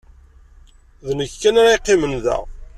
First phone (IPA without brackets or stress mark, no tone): ð